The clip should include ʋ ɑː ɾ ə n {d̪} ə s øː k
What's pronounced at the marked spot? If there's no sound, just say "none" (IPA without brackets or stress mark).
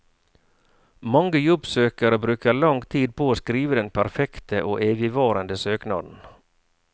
d̪